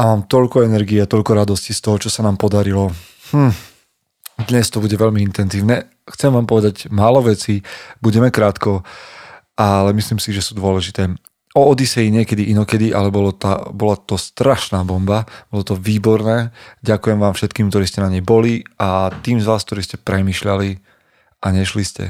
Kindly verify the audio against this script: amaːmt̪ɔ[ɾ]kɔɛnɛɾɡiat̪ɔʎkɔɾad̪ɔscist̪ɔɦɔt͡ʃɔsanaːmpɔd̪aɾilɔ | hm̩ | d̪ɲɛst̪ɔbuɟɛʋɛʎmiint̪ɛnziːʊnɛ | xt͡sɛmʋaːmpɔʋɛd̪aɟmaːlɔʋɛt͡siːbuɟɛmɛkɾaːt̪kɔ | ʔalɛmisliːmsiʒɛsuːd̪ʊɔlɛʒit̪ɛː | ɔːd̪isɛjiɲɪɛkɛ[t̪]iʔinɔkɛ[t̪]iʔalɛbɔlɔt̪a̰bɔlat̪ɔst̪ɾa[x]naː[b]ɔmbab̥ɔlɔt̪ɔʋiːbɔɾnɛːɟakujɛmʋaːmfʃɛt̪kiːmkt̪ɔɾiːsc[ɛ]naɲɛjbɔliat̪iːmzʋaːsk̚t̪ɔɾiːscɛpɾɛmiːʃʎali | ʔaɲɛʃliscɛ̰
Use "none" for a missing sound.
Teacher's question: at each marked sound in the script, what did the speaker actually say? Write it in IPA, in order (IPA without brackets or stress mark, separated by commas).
ʎ, d̪, d̪, ʃ, b, ɛ